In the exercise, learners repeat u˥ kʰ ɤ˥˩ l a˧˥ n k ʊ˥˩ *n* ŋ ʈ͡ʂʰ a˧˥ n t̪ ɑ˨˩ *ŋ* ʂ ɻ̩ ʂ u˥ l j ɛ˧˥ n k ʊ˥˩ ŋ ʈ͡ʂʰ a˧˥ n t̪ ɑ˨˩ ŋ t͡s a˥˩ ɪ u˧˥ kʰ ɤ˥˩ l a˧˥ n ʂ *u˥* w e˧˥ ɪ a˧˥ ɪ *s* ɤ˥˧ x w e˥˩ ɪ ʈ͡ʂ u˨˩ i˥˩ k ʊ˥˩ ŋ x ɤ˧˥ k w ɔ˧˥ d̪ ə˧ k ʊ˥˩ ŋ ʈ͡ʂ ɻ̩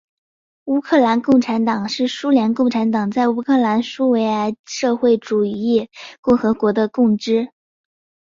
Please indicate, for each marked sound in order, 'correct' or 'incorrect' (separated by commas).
incorrect, correct, correct, incorrect